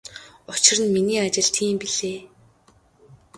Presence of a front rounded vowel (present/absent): absent